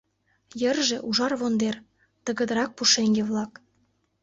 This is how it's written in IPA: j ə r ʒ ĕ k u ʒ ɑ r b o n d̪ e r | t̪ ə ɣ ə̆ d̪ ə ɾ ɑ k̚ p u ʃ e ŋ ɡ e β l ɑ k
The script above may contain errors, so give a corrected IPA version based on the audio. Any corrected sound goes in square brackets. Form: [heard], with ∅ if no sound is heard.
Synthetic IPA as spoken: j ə r ʒ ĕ [ʔ] u ʒ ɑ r [β] o n d̪ e r | t̪ ə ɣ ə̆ d̪ ə ɾ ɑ k̚ p u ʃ e ŋ ɡ e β l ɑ k